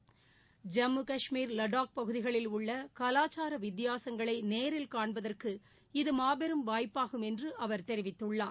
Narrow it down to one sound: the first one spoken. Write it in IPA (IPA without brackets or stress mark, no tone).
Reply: d͡ʒ